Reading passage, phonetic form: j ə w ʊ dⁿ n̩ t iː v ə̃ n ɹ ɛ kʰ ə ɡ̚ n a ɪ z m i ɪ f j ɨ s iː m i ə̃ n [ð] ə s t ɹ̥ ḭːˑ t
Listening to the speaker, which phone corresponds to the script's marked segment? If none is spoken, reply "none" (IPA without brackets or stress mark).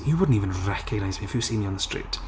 ð